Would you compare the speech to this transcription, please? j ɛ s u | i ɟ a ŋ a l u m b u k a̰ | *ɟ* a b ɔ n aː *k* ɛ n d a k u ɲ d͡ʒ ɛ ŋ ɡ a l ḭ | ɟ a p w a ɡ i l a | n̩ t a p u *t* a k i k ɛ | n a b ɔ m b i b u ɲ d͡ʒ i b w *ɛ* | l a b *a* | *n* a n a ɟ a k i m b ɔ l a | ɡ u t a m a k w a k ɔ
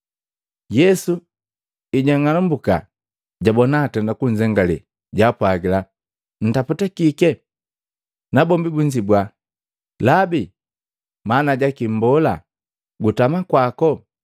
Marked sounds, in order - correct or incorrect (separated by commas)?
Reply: correct, incorrect, correct, incorrect, incorrect, incorrect